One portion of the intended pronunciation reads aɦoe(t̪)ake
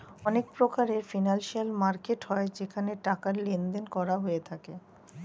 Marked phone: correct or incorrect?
incorrect